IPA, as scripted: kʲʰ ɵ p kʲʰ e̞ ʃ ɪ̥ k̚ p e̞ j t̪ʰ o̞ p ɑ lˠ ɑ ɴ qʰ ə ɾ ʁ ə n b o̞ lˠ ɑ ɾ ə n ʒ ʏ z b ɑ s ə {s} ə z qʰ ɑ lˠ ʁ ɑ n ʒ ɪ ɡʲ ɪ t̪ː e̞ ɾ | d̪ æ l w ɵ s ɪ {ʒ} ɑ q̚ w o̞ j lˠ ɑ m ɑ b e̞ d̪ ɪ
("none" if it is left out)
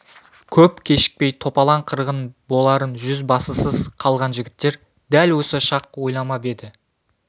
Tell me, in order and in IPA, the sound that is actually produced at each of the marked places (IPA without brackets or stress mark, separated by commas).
s, ʃ